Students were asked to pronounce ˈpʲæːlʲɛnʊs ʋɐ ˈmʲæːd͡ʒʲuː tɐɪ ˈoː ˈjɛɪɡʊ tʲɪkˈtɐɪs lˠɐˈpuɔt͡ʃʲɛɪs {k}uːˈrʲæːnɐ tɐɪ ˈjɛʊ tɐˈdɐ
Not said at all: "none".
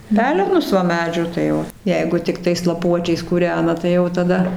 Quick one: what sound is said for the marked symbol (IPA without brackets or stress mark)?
k